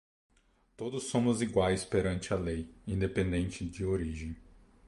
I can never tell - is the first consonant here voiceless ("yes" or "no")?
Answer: yes